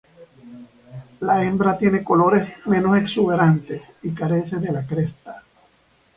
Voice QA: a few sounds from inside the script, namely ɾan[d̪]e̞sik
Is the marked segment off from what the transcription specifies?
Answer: yes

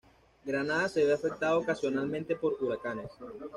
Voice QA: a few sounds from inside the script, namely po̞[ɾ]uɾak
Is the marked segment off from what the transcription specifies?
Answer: no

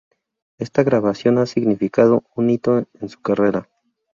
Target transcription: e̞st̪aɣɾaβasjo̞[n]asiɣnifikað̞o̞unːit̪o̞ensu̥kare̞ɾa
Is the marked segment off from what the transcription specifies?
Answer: no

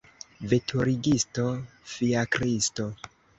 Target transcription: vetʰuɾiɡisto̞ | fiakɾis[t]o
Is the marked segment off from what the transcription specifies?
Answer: no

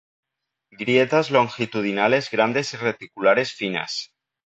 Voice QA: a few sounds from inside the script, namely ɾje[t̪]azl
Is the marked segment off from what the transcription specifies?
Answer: no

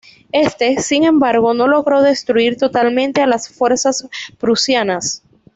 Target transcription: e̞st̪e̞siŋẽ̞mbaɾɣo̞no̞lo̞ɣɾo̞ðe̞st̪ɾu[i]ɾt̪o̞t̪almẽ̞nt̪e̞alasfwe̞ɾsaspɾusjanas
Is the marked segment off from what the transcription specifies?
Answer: no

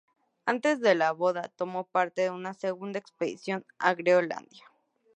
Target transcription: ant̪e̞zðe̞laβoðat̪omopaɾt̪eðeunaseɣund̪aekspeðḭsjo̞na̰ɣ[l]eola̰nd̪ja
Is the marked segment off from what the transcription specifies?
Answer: yes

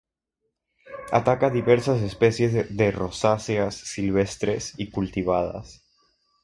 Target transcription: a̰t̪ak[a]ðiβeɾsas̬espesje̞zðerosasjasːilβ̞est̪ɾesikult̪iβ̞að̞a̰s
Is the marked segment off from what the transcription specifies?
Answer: no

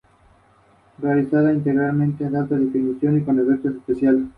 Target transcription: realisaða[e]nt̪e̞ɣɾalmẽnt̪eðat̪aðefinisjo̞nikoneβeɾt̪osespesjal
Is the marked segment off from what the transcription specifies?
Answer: yes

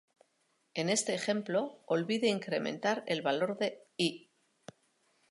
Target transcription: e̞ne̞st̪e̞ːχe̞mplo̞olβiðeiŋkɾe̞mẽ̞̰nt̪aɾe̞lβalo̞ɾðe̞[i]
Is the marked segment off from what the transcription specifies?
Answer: no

